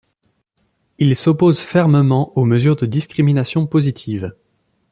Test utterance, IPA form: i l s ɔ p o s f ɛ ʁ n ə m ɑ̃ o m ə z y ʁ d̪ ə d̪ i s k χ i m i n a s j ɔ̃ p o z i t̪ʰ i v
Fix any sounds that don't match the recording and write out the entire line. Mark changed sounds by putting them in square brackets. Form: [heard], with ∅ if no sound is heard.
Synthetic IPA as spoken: i l s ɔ p o [z] f ɛ ʁ [m] ə m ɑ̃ o m ə z y ʁ d̪ ə d̪ i s k χ i m i n a s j ɔ̃ p o z i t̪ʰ i v

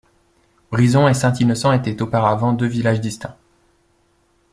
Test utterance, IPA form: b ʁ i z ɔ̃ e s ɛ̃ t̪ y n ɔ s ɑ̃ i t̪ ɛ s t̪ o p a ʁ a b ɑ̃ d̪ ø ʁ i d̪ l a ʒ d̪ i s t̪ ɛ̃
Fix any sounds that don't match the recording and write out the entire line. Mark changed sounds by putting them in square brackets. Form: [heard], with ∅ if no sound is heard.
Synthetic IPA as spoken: b ʁ i z ɔ̃ e s ɛ̃ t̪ [i] n ɔ s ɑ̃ [e] t̪ ɛ [∅] t̪ o p a ʁ a [v] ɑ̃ d̪ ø [v] i [∅] l a ʒ d̪ i s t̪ ɛ̃

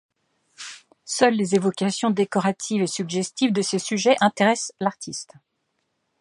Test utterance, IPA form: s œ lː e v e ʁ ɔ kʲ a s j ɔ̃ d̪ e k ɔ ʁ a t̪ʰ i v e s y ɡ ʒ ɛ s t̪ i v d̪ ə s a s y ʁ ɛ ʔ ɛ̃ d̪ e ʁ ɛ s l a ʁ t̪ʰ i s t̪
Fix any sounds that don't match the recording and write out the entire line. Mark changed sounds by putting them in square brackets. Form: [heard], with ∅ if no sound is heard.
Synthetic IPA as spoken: s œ lː e [z] e [v] ɔ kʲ a s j ɔ̃ d̪ e k ɔ ʁ a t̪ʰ i v e s y ɡ ʒ ɛ s t̪ i v d̪ ə s [e] s y [ʒ] ɛ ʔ ɛ̃ [t̪] e ʁ ɛ s l a ʁ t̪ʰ i s t̪

